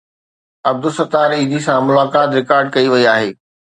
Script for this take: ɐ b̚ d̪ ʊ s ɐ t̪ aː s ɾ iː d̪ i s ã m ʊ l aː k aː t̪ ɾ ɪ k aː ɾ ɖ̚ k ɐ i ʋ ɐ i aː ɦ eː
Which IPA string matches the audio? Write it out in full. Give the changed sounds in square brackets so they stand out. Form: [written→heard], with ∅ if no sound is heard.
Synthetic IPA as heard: ɐ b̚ d̪ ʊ s ɐ t̪ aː [s→∅] ɾ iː d̪ i s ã m ʊ l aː k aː t̪ ɾ ɪ k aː ɾ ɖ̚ k ɐ i ʋ ɐ i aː ɦ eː